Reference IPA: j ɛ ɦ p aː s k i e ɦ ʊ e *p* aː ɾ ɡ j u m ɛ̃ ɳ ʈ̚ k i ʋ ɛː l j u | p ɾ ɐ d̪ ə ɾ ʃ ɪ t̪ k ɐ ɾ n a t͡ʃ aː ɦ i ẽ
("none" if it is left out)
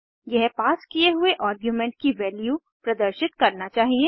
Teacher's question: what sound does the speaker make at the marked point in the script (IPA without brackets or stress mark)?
ʔ